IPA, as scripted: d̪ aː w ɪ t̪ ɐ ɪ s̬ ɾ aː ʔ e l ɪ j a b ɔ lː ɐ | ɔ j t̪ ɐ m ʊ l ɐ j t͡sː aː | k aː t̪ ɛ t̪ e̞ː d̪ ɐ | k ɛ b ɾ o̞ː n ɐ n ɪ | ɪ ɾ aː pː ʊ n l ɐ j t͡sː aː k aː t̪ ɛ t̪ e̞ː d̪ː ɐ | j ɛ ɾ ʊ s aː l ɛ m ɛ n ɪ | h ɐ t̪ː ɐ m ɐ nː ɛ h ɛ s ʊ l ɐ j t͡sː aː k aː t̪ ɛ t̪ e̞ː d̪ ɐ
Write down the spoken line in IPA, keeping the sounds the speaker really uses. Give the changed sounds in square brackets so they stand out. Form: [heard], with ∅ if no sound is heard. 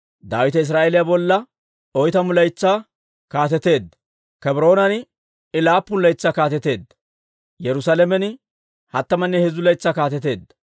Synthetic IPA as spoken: d̪ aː w ɪ t̪ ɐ ɪ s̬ ɾ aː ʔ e l ɪ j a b ɔ lː ɐ | ɔ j t̪ ɐ m ʊ l ɐ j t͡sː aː | k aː t̪ ɛ t̪ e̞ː d̪ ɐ | k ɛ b ɾ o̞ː n ɐ n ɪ | ɪ [l] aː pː ʊ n l ɐ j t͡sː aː k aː t̪ ɛ t̪ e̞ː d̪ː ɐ | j ɛ ɾ ʊ s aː l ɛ m ɛ n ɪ | h ɐ t̪ː ɐ m ɐ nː ɛ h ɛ [z] ʊ l ɐ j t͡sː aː k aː t̪ ɛ t̪ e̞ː d̪ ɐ